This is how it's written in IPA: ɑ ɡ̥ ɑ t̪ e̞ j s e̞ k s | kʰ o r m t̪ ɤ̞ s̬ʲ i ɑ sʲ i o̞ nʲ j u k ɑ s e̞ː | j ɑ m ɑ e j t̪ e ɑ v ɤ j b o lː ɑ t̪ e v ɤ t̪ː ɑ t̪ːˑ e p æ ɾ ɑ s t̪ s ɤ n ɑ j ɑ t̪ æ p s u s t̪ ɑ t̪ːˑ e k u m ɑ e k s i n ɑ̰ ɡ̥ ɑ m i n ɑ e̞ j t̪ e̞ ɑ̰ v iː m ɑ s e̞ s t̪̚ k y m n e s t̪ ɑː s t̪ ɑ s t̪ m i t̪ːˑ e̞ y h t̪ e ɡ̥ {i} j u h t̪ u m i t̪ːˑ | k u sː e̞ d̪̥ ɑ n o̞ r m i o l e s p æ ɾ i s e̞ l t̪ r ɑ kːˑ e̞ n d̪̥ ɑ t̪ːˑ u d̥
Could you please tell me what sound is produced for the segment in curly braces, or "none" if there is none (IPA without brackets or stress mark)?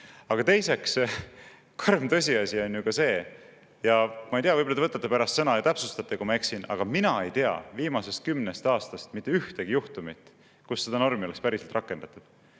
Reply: i